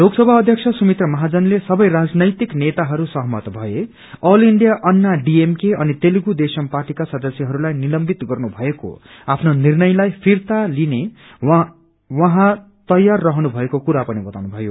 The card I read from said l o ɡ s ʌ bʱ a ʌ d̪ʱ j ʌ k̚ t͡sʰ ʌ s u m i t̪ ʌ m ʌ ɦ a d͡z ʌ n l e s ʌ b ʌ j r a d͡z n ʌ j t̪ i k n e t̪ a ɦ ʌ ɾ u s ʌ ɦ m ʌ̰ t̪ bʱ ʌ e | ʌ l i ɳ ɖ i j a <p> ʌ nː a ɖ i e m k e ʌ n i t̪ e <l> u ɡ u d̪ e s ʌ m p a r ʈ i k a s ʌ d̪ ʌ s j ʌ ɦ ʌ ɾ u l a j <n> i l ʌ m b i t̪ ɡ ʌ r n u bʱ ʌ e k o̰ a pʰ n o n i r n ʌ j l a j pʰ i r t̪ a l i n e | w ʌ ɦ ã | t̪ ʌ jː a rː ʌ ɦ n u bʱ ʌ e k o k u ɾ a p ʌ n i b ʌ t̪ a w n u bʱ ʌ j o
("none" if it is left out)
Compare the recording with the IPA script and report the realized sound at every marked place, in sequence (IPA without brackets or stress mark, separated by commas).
ʔ, l, n